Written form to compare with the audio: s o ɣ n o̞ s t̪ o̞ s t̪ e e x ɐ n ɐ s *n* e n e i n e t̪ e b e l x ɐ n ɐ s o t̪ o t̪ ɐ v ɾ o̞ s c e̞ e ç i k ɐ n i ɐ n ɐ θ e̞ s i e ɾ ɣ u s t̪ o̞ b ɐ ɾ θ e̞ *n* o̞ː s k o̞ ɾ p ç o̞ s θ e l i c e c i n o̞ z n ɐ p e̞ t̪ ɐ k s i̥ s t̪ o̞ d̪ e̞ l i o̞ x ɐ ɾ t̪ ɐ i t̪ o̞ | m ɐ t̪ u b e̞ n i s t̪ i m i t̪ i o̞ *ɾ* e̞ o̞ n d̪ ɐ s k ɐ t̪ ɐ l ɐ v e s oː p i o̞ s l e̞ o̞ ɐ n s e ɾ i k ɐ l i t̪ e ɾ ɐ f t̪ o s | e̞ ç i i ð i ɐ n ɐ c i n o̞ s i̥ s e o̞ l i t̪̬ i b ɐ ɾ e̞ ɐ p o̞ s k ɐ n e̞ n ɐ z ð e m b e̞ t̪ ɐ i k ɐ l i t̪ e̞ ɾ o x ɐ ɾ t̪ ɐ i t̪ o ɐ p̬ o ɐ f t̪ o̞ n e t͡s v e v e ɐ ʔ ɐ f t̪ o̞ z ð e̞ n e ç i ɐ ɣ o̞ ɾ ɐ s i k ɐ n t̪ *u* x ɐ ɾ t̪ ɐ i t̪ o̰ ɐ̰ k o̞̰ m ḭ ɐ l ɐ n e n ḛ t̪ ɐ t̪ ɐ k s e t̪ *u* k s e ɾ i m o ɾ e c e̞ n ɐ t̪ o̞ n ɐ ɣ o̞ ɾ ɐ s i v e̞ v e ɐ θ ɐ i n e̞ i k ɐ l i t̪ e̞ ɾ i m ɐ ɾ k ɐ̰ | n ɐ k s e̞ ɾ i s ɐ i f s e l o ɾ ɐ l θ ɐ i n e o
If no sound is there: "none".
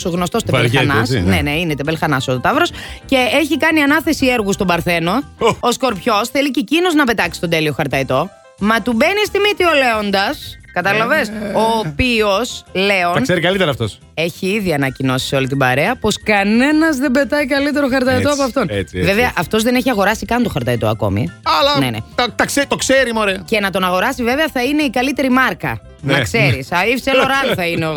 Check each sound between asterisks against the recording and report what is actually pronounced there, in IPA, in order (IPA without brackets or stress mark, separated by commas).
n, n, l, o, o